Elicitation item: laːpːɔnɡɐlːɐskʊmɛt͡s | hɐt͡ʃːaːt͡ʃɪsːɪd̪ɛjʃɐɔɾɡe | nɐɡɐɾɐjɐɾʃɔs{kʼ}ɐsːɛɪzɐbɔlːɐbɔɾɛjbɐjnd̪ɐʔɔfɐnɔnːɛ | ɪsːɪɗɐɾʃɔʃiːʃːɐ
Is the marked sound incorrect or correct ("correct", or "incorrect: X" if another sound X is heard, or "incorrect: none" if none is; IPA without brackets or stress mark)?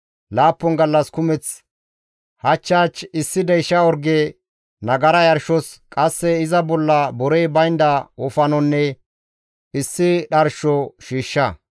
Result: correct